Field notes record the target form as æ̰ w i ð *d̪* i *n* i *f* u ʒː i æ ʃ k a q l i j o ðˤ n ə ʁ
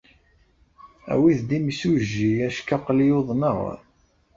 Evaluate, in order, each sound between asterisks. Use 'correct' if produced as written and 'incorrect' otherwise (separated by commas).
correct, incorrect, incorrect